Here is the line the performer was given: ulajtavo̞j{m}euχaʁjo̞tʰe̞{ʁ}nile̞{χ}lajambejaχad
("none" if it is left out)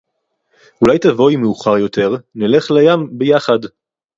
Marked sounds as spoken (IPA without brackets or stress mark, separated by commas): m, ʁ, χ